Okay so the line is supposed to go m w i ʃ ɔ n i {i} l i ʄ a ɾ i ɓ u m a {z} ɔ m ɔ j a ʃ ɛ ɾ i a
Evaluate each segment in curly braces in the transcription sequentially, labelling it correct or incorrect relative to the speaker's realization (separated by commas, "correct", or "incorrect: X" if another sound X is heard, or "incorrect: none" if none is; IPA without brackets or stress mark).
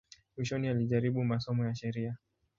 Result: incorrect: a, incorrect: s